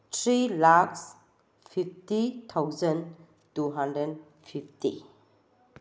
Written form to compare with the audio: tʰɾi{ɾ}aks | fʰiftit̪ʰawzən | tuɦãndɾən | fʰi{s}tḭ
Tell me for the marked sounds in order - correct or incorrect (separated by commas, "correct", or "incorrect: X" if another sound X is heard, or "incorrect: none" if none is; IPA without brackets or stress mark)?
incorrect: l, incorrect: f